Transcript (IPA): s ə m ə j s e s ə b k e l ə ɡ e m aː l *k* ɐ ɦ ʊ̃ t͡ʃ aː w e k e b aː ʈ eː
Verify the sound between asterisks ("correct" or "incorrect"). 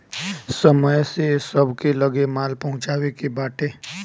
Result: incorrect